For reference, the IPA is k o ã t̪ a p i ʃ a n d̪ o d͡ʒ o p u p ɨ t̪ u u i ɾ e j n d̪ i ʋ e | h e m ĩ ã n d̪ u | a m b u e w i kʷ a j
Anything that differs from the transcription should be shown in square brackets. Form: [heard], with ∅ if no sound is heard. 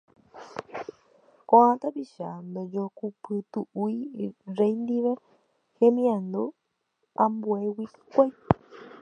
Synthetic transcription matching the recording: k o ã t̪ a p i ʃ a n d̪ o d͡ʒ o [k] u p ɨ t̪ u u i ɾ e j n d̪ i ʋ e | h e m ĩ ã n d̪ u | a m b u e w i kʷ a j